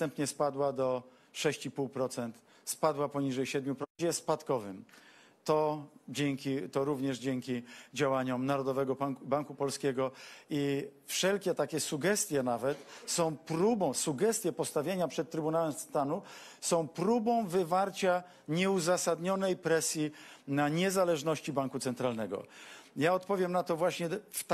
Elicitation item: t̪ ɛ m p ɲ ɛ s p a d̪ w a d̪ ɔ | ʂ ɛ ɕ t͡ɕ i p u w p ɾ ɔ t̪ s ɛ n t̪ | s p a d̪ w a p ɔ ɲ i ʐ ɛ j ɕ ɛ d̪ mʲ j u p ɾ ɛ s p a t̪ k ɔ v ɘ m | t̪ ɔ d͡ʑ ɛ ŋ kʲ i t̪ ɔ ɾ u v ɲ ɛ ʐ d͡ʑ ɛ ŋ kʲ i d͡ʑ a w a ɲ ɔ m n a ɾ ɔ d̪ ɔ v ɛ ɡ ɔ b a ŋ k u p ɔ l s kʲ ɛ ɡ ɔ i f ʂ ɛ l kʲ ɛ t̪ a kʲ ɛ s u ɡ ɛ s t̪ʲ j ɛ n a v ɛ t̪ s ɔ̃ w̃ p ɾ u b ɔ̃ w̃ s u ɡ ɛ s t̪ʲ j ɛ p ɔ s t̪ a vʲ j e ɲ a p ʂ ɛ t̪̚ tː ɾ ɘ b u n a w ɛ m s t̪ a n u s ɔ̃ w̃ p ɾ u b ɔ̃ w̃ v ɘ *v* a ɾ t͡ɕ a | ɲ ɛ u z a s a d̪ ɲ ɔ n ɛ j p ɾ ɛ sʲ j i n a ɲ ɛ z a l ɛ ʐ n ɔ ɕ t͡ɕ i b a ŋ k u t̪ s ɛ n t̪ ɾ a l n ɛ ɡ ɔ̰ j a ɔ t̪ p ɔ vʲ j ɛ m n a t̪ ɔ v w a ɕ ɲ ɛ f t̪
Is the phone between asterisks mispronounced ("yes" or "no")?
no